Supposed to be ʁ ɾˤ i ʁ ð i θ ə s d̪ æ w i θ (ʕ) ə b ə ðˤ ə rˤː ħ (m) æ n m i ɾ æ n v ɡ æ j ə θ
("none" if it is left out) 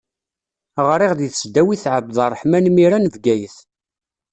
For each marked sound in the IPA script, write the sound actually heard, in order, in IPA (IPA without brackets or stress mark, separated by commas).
ʕ, m